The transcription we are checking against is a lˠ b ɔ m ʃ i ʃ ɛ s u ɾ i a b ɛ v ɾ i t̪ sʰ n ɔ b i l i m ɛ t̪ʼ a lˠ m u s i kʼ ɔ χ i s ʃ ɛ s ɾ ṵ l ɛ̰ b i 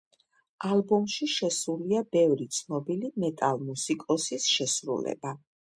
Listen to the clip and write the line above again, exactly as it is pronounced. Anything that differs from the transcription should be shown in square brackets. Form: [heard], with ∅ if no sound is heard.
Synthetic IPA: a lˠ b ɔ m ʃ i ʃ ɛ s u [l] i a b ɛ v ɾ i t̪ sʰ n ɔ b i l i m ɛ t̪ʼ a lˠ m u s i kʼ ɔ [s] i s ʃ ɛ s ɾ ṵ l ɛ̰ b [a]